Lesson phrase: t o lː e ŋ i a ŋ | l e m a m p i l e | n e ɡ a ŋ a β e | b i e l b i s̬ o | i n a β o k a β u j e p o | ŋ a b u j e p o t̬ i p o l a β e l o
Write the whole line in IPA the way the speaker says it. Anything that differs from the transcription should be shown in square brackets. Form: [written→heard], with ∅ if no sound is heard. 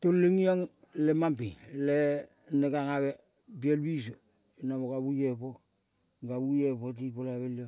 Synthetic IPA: t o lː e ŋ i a ŋ | l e m a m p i l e | n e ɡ a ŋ a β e | b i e l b i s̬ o | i n a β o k a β u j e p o | [ŋ→ɡ] a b u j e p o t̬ i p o l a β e l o